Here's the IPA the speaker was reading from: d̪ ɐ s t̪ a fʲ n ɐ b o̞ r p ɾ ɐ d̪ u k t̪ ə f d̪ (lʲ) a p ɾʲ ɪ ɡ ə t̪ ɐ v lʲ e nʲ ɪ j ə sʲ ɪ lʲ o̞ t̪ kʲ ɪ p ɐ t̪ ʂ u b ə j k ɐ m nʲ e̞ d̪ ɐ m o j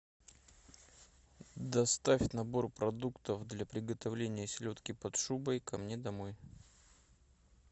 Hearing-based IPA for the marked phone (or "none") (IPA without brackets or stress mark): lʲ